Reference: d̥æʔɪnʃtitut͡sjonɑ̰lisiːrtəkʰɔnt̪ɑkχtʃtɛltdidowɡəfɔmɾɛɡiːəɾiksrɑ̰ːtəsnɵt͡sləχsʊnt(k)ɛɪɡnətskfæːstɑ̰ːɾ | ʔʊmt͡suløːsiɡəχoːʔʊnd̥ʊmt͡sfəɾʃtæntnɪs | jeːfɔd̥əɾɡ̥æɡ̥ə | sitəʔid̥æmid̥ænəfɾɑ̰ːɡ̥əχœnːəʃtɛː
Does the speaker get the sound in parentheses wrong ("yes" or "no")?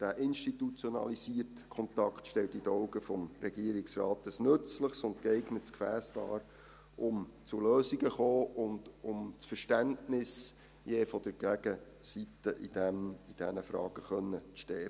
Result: no